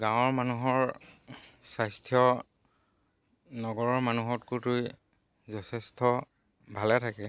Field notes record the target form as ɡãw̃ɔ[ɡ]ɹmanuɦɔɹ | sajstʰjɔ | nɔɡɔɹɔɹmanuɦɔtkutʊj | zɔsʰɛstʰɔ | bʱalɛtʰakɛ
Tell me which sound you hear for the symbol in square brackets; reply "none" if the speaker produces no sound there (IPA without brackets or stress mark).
none